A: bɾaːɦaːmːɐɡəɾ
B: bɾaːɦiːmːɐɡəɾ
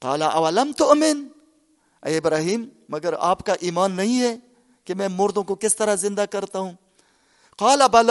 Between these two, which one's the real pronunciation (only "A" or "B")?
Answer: B